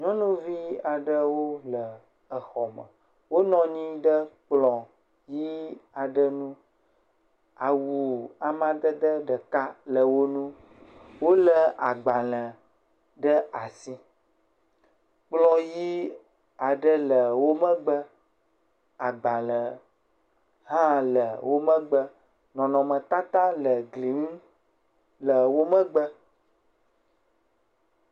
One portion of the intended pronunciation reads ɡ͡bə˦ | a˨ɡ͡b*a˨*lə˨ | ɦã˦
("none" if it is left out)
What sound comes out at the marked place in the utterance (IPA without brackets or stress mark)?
a˨